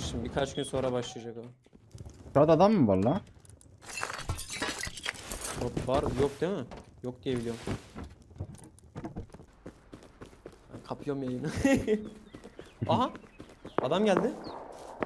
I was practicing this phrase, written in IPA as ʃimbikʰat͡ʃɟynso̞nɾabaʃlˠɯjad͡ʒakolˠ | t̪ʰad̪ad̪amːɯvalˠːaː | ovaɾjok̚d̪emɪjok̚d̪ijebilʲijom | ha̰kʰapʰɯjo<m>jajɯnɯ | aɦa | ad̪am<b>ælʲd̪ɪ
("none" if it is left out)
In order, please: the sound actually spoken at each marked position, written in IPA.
m, ɟ

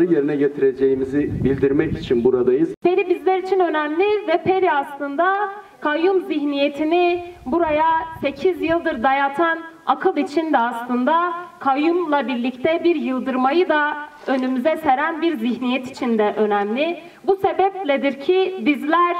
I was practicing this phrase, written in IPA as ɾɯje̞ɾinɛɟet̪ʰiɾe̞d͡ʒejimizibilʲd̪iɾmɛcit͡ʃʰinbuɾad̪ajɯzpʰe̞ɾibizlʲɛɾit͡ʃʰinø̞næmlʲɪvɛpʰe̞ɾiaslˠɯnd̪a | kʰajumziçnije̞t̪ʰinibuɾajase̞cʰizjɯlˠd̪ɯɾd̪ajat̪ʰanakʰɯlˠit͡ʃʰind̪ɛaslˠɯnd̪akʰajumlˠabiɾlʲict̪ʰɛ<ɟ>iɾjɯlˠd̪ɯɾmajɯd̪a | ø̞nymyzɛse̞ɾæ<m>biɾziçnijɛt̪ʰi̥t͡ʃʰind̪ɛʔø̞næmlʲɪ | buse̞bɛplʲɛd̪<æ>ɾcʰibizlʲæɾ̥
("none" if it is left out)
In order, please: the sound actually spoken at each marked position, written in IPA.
b, n, i

